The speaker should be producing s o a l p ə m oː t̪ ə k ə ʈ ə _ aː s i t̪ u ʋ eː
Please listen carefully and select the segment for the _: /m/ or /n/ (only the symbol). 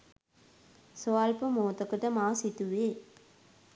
m